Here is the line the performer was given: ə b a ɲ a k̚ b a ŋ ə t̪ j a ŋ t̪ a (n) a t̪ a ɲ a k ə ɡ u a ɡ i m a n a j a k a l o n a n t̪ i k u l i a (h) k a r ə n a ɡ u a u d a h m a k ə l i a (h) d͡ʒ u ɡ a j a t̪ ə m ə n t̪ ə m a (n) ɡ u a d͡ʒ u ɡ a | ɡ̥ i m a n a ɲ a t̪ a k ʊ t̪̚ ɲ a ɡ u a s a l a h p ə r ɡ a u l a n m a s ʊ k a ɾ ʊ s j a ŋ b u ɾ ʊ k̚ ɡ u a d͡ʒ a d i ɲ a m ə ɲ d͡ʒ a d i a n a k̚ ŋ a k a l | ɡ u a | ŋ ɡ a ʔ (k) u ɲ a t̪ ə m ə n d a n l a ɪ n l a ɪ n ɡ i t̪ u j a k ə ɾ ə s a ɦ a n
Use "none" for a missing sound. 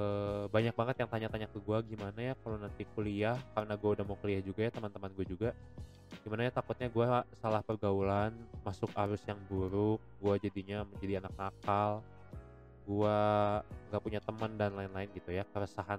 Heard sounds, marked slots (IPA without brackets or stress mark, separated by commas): ɲ, h, h, n, p